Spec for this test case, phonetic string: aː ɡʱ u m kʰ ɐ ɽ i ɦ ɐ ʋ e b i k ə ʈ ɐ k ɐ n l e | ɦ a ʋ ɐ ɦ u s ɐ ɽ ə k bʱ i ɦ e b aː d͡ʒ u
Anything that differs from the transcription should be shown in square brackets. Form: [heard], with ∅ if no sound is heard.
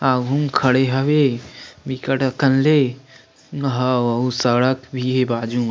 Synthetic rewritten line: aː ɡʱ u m kʰ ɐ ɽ [e] ɦ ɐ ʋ e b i k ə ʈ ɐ k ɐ n l e | ɦ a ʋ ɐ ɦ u s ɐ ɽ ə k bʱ i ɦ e b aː d͡ʒ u